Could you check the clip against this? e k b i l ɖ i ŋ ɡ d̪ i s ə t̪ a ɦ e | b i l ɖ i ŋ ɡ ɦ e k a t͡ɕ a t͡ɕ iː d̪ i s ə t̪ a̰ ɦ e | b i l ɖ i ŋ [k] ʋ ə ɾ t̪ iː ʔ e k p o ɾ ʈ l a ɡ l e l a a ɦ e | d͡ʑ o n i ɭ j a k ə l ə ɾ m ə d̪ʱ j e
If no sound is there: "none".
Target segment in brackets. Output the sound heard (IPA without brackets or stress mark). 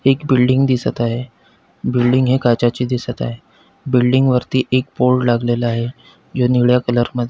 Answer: ɡ